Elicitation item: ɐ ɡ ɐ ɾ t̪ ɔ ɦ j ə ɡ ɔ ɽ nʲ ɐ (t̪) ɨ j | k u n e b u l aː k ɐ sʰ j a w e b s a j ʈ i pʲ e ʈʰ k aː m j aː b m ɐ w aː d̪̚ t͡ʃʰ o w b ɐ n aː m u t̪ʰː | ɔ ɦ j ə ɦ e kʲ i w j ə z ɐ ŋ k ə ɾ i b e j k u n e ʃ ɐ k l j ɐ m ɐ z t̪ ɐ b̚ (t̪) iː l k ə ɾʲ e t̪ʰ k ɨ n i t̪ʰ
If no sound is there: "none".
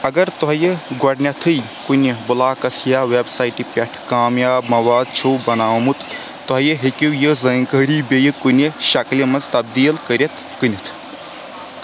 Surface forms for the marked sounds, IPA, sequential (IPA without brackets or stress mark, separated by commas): t̪ʰ, d̪